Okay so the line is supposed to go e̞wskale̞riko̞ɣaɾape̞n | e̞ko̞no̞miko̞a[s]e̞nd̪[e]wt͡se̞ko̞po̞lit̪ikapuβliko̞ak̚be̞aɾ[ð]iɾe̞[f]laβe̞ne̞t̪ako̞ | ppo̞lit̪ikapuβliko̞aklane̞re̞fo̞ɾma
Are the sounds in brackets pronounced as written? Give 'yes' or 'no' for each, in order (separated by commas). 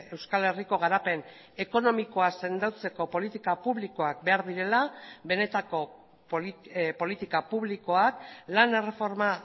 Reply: yes, no, yes, no